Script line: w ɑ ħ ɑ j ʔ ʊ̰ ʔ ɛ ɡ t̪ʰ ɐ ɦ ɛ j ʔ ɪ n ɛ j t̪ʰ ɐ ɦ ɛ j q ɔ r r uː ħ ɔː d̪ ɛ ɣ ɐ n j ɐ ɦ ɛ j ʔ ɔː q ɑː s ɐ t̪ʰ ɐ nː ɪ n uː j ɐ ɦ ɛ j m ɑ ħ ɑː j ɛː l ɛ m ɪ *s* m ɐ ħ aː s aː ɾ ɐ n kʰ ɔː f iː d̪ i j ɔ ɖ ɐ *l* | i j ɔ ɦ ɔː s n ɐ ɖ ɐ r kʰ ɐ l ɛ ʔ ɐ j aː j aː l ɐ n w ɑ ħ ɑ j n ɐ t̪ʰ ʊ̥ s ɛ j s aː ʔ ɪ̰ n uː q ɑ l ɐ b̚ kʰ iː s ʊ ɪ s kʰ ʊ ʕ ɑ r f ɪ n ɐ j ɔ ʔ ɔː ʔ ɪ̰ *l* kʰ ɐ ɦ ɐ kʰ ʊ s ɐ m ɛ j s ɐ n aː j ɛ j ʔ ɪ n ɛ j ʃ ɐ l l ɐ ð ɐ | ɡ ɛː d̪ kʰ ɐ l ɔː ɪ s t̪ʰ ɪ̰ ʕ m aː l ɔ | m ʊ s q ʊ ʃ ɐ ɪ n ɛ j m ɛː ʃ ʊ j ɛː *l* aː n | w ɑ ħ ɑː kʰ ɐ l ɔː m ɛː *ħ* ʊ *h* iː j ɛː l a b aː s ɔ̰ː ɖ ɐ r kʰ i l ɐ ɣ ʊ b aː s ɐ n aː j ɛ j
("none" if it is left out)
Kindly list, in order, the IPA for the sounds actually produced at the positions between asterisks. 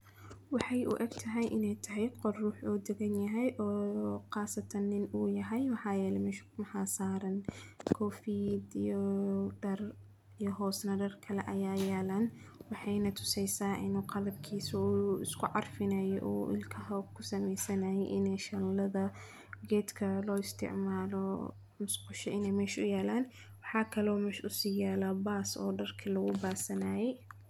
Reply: ʃ, r, l, l, ʃ, s

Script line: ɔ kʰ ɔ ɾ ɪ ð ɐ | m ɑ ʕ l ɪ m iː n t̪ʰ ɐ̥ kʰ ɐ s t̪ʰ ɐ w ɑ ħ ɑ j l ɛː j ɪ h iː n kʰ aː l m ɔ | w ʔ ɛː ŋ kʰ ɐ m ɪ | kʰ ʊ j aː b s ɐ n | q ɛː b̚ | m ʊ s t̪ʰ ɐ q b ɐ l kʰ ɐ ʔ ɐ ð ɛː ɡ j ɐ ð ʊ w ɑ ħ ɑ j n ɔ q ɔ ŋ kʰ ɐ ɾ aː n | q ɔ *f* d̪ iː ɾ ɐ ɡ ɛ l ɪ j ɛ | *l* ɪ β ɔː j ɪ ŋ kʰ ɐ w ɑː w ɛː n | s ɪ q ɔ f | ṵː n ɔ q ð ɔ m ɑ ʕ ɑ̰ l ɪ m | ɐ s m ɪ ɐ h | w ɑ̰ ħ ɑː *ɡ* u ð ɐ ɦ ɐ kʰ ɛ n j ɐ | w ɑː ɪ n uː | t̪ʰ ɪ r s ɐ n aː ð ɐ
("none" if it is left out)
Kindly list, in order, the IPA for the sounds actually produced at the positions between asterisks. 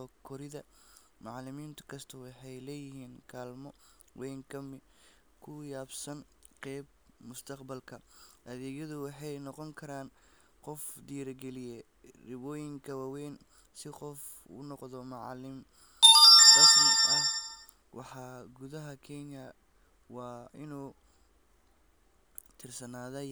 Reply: f, r, ɡ

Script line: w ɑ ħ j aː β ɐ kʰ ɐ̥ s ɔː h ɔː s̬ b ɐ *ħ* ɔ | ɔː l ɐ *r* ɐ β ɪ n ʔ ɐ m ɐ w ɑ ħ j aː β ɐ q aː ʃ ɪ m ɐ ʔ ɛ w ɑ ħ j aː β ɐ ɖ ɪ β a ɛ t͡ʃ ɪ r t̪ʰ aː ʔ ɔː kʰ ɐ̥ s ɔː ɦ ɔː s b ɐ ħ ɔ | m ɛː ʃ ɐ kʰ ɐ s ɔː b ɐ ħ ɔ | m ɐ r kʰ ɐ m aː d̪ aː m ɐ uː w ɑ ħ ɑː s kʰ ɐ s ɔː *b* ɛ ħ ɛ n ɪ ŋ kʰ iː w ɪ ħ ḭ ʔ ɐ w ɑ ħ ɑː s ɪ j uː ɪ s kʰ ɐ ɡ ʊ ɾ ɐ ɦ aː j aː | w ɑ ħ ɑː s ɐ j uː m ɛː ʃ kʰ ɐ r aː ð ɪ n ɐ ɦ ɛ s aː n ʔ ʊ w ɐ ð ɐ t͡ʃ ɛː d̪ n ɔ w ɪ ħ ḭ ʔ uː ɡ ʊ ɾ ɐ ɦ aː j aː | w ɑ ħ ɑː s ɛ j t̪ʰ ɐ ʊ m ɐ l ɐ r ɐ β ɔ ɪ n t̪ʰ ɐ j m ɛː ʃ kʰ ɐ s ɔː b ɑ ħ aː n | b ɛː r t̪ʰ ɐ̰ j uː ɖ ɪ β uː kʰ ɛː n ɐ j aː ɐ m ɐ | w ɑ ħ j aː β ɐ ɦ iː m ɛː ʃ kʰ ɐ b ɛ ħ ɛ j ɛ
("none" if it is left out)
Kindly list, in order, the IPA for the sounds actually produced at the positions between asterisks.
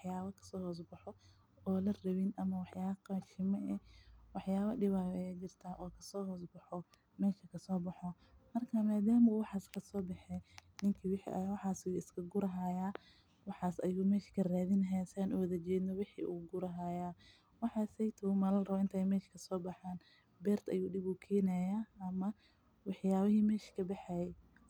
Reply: ħ, r, b

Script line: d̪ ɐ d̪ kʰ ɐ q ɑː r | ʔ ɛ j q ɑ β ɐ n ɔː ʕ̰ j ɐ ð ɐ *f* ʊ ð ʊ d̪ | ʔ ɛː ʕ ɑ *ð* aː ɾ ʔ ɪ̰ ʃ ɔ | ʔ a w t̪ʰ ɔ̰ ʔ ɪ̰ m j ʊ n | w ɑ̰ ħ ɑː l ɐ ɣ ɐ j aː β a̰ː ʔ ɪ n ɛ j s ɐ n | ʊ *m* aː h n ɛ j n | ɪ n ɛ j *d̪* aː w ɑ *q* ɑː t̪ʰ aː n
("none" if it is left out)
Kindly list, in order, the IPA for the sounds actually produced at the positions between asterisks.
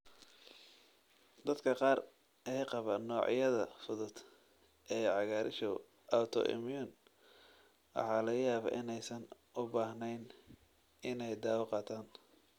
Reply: f, ɣ, b, d̪, q

